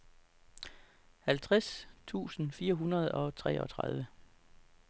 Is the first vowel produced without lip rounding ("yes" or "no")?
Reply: yes